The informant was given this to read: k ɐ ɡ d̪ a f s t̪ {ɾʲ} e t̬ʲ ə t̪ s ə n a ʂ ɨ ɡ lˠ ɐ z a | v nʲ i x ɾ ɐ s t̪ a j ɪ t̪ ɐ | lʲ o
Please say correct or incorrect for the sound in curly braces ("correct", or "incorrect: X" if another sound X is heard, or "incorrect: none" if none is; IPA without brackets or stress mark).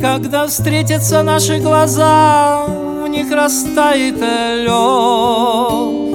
correct